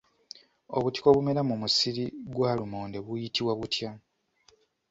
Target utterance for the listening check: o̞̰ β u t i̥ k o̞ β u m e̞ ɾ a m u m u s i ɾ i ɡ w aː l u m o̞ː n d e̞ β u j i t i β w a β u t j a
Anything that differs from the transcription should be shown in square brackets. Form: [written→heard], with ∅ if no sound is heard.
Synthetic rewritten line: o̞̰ β u t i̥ k o̞ β u m e̞ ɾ a m u m u s i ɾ i ɡ w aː l u m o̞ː n d e̞ β u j i t i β w a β u t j a